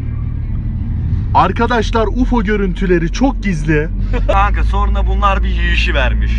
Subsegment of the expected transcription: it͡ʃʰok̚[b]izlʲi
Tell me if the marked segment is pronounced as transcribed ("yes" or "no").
no